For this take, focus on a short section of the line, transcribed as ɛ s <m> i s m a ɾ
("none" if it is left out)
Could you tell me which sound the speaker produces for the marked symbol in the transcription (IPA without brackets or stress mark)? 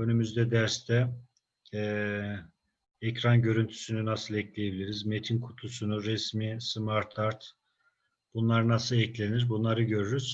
m